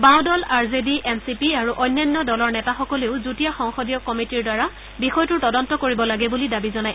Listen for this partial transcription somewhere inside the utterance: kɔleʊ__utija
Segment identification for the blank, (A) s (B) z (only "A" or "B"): B